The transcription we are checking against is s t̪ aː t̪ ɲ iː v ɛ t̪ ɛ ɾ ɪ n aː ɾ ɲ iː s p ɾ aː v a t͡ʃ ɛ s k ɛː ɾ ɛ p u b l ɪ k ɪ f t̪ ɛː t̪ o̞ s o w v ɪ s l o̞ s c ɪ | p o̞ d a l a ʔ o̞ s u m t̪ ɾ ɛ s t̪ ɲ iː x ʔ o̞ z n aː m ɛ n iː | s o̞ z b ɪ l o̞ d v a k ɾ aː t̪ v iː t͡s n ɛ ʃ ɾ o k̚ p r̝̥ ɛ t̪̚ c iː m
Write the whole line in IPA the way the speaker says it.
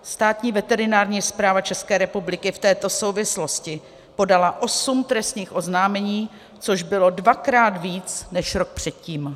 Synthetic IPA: s t̪ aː t̪ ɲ iː v ɛ t̪ ɛ ɾ ɪ n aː ɾ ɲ iː s p ɾ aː v a t͡ʃ ɛ s k ɛː ɾ ɛ p u b l ɪ k ɪ f t̪ ɛː t̪ o̞ s o w v ɪ s l o̞ s c ɪ | p o̞ d a l a ʔ o̞ s u m t̪ ɾ ɛ s t̪ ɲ iː x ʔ o̞ z n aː m ɛ ɲ iː | t͡s o̞ ʒ b ɪ l o̞ d v a k ɾ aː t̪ v iː t͡s n ɛ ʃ ɾ o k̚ p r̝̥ ɛ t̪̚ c iː m